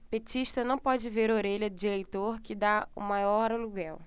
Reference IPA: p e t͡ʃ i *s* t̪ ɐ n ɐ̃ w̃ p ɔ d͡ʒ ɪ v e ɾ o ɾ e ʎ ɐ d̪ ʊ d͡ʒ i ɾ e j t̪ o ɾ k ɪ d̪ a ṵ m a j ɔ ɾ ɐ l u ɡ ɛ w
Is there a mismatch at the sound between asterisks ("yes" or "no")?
yes